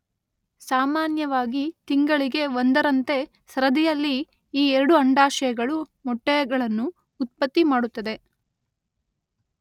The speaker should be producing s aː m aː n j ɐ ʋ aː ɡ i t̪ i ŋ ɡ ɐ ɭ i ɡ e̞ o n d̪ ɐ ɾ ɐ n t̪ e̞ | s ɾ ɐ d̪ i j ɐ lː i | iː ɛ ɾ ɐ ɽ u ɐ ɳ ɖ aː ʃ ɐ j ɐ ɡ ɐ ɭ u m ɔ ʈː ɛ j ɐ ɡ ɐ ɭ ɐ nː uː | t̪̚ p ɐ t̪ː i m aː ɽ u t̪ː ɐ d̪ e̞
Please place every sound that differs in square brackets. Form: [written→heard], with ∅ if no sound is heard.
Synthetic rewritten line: s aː m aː n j ɐ ʋ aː ɡ i t̪ i ŋ ɡ ɐ ɭ i ɡ e̞ o n d̪ ɐ ɾ ɐ n t̪ e̞ | s ɾ ɐ d̪ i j ɐ lː i | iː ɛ ɾ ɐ ɽ u ɐ ɳ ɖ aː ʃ ɐ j ɐ ɡ ɐ ɭ u m ɔ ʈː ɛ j ɐ ɡ ɐ ɭ ɐ nː uː | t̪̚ p ɐ t̪ː i m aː ɽ u t̪ː ɐ d̪ e̞